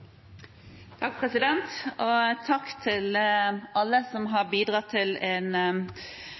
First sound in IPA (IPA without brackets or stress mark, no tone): t̪ʰ